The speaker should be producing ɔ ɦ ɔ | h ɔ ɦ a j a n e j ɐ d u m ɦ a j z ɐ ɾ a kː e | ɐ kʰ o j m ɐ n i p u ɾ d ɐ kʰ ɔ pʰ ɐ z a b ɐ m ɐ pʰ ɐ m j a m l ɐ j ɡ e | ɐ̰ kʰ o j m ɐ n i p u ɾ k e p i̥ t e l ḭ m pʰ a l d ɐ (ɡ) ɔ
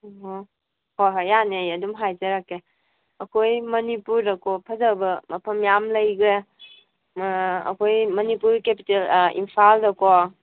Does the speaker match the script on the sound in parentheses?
no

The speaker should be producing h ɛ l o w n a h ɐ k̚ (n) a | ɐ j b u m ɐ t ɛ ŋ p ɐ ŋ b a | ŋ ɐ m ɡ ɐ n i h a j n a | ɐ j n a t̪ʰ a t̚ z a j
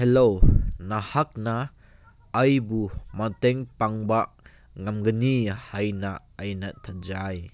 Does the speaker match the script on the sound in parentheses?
yes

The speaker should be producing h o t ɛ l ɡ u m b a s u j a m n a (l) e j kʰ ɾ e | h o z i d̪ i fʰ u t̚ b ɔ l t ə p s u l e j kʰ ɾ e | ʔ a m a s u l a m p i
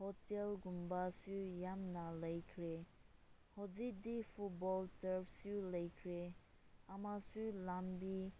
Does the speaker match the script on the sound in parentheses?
yes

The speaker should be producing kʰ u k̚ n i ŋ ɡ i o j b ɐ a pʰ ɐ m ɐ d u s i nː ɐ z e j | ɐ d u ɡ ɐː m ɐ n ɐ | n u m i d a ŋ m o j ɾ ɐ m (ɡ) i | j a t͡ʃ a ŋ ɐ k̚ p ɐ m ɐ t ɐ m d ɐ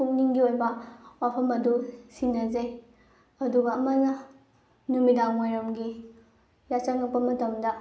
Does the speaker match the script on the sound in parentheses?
yes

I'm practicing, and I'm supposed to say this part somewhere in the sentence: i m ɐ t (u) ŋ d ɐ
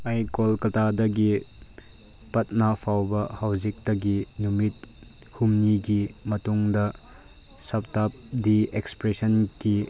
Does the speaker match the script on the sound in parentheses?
yes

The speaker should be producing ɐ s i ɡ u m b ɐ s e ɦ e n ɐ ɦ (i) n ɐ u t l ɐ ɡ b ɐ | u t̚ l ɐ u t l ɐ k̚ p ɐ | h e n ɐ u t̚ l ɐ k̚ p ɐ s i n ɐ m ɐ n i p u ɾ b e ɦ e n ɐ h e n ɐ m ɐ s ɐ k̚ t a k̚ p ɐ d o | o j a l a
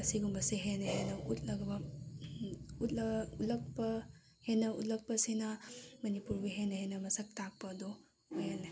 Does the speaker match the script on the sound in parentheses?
no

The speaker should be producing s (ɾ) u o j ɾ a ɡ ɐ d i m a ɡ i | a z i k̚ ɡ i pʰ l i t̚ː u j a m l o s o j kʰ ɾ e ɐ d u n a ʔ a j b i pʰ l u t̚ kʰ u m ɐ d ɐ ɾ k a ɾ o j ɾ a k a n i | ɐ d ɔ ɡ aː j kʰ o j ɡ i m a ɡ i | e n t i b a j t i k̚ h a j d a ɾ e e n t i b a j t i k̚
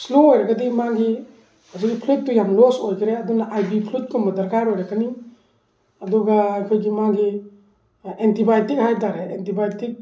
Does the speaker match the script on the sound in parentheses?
no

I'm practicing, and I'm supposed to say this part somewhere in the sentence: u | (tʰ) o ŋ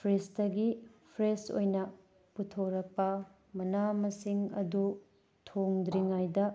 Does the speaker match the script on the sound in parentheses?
yes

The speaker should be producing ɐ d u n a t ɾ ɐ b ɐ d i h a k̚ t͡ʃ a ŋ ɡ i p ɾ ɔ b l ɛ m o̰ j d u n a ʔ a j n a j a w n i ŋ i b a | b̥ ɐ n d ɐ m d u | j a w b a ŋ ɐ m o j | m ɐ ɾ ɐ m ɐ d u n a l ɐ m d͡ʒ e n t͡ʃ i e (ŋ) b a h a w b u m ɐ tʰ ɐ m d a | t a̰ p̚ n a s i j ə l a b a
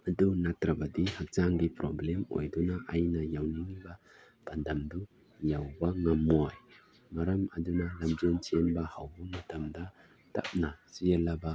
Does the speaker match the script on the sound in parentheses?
no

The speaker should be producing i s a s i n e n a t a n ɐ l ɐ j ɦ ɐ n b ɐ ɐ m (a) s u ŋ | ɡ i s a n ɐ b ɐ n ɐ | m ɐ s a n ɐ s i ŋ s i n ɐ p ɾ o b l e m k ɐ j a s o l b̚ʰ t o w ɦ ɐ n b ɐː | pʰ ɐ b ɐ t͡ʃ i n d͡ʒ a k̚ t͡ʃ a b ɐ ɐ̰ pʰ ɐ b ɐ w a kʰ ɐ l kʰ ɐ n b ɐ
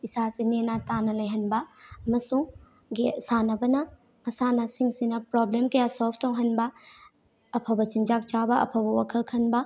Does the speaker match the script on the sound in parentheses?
no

